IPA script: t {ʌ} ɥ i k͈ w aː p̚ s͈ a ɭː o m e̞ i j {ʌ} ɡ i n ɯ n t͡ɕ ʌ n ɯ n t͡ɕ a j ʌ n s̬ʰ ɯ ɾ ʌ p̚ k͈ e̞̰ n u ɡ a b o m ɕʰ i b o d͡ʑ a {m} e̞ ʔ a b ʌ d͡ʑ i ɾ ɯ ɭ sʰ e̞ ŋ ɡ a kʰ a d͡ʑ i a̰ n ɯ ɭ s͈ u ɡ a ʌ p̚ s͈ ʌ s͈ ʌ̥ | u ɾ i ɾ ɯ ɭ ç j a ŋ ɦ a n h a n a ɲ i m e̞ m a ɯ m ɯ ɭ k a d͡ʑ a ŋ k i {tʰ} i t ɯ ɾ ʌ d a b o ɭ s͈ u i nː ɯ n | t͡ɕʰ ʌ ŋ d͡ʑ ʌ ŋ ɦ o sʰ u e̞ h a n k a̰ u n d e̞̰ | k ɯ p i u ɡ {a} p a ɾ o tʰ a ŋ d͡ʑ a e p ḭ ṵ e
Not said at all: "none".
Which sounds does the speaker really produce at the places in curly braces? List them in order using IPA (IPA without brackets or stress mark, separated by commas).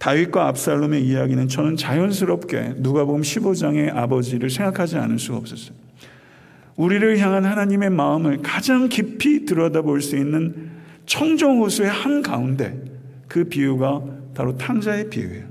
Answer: a, a, ŋ, pʰ, a